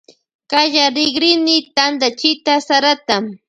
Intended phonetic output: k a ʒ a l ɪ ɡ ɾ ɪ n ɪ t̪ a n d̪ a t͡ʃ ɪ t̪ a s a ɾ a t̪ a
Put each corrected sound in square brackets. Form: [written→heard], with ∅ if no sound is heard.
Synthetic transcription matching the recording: k a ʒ a [l→ɾ] ɪ ɡ ɾ ɪ n ɪ t̪ a n d̪ a t͡ʃ ɪ t̪ a s a ɾ a t̪ a